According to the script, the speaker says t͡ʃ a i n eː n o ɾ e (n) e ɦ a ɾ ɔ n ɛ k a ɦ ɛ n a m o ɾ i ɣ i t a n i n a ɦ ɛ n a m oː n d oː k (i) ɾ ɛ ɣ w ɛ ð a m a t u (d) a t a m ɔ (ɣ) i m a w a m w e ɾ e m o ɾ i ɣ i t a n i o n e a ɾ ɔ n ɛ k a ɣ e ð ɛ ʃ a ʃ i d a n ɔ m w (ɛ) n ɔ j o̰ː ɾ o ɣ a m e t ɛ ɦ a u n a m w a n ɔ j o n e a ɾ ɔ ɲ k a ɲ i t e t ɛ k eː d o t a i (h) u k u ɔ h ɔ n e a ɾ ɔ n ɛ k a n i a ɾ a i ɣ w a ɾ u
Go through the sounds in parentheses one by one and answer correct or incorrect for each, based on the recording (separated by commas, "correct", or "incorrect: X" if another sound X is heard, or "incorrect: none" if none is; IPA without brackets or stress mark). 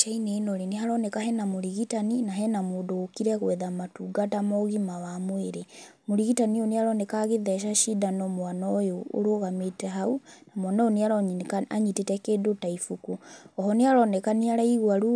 correct, correct, incorrect: ɡ, correct, incorrect: a, incorrect: f